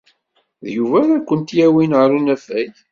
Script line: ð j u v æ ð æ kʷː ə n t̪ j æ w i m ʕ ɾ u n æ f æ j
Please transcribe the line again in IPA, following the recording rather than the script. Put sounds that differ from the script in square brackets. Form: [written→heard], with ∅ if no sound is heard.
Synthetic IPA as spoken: ð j u v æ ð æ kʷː ə n t̪ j æ w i [m→n] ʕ ɾ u n æ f æ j